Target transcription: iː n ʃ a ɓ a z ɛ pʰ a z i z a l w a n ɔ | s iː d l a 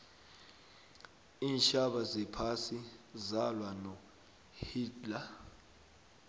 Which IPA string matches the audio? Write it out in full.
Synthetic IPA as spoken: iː n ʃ a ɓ a z ɛ pʰ a s i z a l w a n ɔ | h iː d l a